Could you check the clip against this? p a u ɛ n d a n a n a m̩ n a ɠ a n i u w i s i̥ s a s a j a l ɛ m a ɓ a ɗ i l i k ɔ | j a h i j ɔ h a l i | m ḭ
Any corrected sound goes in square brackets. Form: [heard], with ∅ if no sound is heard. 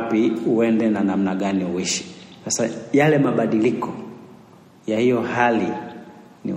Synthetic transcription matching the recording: p [i] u ɛ n d [ɛ] n a n a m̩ n a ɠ a n i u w i [ʃ] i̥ s a s a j a l ɛ m a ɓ a ɗ i l i k ɔ | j a h i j ɔ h a l i | [n] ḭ